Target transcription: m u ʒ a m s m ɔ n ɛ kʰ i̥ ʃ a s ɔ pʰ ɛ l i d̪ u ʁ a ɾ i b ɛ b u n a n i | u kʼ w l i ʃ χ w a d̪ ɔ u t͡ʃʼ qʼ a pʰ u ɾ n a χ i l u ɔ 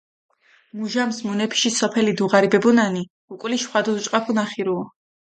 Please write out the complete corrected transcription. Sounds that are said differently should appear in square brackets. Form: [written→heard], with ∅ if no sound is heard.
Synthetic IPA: m u ʒ a m s m [ɔ→u] n ɛ [kʰ→pʰ] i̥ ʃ [a→i] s ɔ pʰ ɛ l i d̪ u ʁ a ɾ i b ɛ b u n a n i | u kʼ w l i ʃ χ w a d̪ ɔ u t͡ʃʼ qʼ a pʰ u [ɾ→∅] n a χ i [l→ɾ] u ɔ